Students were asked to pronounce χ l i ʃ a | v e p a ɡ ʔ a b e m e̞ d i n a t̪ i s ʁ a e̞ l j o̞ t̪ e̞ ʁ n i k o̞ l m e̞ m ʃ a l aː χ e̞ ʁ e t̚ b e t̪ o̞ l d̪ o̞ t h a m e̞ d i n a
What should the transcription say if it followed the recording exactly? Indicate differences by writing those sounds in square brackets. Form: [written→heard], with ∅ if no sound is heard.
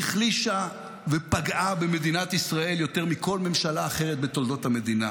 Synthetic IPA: χ l i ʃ a | v e p a ɡ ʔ a b e m e̞ d i n a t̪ i s ʁ a e̞ l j o̞ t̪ e̞ ʁ [n→m] i k o̞ l m e̞ m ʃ a l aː χ e̞ ʁ e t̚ b e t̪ o̞ l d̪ o̞ t h a m e̞ d i n a